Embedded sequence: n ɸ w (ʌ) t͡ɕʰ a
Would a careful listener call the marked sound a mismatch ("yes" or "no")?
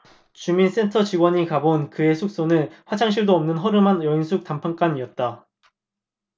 yes